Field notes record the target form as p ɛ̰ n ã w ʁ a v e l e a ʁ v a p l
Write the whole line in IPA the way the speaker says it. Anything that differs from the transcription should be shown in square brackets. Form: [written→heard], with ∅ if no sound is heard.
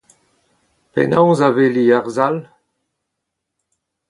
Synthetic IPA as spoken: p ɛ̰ n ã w [ʁ→z] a v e l [e→i] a ʁ [v→z] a [p→∅] l